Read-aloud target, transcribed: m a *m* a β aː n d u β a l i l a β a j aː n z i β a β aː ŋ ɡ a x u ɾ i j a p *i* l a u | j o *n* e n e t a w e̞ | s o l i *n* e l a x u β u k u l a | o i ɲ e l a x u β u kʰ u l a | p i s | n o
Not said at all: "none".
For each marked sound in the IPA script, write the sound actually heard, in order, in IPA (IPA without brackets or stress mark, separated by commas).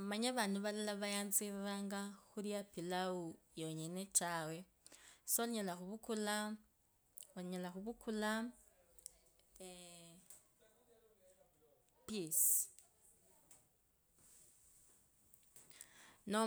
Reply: ɲ, i, ɲ, ɲ